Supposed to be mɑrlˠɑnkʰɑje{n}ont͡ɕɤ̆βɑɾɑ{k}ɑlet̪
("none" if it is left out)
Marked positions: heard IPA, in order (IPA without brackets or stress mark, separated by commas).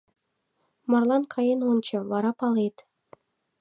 n, p